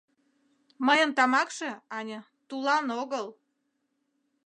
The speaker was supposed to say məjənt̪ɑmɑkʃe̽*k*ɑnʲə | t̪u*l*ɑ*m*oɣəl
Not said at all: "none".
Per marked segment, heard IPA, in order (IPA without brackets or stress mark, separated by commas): none, l, n